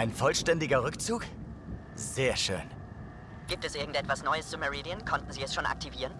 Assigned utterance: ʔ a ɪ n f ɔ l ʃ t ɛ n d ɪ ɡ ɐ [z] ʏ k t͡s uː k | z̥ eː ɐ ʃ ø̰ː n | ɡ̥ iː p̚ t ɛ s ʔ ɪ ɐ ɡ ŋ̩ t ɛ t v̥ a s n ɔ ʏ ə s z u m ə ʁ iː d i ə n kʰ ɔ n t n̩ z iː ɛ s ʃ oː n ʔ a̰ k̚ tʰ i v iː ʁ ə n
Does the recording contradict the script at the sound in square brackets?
yes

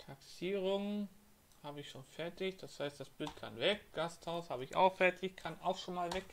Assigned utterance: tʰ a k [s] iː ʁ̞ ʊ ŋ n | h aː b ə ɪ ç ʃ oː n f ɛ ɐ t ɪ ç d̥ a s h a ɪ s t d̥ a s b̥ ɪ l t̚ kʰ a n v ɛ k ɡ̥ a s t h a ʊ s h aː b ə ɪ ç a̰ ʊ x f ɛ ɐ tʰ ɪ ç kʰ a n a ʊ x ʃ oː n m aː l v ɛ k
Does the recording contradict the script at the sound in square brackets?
no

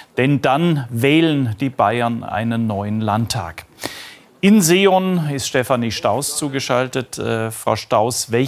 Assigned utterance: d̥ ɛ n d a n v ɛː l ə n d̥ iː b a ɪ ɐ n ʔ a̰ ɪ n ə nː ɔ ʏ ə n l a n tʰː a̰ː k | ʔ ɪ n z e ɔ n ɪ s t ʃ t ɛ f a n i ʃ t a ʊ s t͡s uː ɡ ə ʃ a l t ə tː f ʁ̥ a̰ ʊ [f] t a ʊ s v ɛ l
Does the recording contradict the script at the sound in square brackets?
yes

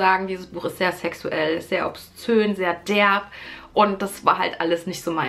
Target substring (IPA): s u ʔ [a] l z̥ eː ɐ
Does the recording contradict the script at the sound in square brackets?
yes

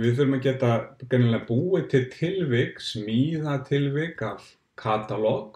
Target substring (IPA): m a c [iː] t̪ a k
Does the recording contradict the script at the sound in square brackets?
yes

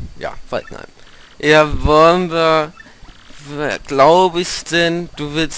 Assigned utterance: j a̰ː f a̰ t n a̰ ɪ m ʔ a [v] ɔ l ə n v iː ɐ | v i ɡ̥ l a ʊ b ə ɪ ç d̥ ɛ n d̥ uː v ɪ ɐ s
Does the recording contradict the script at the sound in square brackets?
no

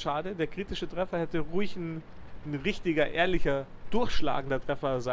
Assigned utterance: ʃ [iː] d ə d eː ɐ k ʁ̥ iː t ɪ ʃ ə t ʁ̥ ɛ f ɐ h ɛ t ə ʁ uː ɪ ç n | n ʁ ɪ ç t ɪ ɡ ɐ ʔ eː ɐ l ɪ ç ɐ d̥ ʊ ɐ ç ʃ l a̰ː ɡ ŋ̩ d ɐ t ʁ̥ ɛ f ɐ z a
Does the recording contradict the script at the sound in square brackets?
yes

